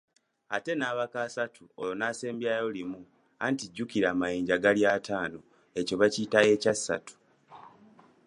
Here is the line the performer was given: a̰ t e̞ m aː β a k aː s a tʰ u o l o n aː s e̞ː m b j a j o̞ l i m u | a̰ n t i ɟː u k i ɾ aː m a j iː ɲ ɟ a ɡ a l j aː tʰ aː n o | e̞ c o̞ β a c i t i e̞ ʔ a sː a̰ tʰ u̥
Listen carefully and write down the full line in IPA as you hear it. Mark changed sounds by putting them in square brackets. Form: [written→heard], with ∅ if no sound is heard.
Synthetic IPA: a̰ t e̞ [m→n] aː β a k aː s a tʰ u o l o n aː s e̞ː m b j a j o̞ l i m u | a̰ n t i ɟː u k i ɾ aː m a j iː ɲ ɟ a ɡ a l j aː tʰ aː n o | e̞ c o̞ β a c i t [i→a] e̞ [ʔ→c] a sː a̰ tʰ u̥